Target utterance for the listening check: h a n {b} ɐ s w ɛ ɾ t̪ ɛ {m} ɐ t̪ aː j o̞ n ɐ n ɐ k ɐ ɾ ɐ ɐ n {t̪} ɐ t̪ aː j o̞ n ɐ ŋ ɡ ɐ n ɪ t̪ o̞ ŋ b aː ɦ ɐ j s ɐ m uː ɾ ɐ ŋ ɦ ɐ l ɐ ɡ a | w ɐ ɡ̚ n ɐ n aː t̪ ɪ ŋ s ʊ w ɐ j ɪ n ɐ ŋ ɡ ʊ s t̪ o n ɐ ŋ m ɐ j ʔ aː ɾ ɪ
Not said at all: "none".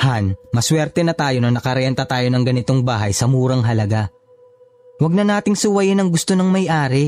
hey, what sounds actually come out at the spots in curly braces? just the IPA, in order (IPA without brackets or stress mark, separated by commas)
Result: m, n, t̪